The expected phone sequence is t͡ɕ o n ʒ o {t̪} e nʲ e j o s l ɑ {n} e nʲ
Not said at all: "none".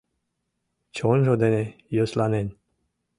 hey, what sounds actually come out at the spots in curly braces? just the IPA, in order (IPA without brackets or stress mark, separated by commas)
d̪, n